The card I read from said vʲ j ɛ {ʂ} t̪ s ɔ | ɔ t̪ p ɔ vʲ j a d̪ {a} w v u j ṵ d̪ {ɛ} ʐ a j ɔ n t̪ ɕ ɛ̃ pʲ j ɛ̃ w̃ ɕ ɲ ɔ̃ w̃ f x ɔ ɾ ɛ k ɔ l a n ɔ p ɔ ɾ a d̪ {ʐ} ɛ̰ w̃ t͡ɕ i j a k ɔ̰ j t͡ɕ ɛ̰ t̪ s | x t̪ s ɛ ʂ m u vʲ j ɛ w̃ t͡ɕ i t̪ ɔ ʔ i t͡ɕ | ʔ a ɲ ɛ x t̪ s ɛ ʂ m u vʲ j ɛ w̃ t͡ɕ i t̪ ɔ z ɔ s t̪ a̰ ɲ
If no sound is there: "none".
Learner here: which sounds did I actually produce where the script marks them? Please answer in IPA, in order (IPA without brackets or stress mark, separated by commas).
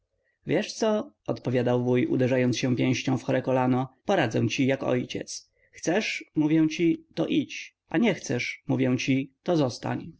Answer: ʂ, a, ɛ, z